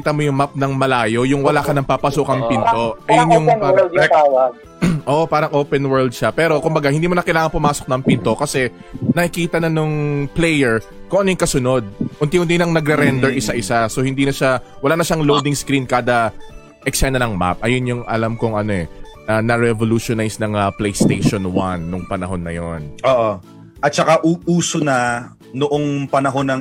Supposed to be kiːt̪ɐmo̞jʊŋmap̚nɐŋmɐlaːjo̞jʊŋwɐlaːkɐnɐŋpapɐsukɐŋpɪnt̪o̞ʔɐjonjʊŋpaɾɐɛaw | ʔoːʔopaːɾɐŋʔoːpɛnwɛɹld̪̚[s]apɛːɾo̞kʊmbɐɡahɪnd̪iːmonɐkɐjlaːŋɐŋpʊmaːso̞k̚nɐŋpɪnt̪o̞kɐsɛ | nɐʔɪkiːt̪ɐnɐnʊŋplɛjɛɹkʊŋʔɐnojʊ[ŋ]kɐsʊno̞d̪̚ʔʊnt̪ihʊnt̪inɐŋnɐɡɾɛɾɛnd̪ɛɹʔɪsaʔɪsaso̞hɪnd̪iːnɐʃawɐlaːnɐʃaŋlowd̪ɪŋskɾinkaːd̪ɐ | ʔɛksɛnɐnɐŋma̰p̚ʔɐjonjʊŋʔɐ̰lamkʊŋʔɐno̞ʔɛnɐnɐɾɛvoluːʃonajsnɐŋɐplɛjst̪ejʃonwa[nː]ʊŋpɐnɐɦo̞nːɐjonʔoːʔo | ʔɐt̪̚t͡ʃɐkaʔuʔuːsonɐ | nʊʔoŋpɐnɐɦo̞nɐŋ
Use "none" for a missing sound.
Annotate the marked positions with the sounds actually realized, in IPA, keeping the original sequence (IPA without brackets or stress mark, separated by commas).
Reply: ʃ, ŋ, nː